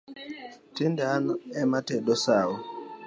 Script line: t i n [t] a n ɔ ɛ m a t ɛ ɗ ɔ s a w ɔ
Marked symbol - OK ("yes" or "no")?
no